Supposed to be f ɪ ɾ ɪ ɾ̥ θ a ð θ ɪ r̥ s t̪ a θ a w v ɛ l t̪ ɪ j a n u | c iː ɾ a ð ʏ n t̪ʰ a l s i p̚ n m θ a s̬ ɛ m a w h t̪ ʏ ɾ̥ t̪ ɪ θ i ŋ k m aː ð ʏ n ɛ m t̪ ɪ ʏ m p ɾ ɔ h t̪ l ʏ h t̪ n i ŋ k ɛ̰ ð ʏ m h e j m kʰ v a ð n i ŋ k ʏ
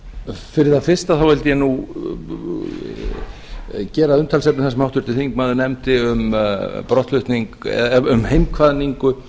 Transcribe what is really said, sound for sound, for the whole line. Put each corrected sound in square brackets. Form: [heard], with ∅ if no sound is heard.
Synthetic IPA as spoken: f ɪ ɾ ɪ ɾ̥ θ a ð [f] ɪ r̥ s t̪ a θ a w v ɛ l t̪ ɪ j [ɛ] n u | c [ɛː] ɾ a ð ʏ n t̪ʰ a l s [ɛ] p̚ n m θ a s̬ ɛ m a w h t̪ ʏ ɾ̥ t̪ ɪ θ i ŋ k m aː ð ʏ n ɛ m t̪ ɪ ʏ m p ɾ ɔ h t̪ l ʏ h t̪ n i ŋ k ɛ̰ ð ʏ m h e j m kʰ v a ð n i ŋ k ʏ